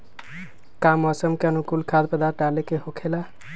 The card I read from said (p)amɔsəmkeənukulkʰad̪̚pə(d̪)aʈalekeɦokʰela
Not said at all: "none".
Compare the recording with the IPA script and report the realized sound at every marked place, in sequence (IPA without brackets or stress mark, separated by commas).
k, d̪